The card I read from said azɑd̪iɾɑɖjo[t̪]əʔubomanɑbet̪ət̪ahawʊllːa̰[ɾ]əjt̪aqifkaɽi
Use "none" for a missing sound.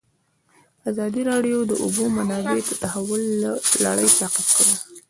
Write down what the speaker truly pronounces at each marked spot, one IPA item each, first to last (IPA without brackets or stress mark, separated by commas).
d̪, ɽ